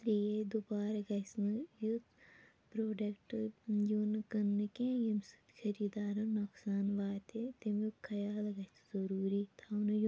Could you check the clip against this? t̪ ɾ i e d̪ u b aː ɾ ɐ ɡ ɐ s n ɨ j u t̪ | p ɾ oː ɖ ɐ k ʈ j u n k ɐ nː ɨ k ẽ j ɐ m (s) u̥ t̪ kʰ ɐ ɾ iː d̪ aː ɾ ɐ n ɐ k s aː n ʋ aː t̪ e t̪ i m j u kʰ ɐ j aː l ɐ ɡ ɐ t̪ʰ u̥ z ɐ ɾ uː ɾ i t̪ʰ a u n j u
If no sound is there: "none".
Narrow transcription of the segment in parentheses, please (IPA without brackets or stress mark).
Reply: s